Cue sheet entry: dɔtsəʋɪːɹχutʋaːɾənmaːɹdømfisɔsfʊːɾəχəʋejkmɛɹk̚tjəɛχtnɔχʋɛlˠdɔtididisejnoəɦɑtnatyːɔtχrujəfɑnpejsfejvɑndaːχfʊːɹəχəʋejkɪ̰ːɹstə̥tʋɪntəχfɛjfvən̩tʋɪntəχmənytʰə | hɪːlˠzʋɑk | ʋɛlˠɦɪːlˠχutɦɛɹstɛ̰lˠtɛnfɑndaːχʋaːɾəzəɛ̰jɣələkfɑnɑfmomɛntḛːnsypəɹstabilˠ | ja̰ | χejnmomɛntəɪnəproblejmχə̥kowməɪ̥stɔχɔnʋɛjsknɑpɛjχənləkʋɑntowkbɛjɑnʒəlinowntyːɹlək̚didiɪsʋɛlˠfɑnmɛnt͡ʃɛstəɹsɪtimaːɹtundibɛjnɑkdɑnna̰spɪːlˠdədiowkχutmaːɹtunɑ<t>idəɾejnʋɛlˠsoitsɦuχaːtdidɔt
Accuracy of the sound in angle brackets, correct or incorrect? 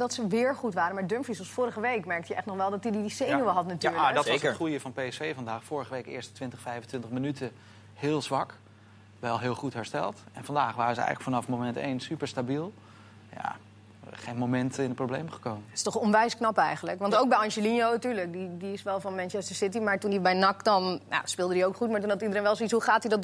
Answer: correct